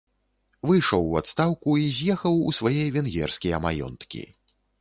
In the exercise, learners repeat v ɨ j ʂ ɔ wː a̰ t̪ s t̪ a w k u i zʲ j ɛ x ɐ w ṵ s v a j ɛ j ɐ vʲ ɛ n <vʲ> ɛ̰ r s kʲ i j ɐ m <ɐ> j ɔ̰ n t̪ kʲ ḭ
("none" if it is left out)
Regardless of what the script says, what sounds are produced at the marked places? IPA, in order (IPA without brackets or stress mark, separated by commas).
ɣʲ, a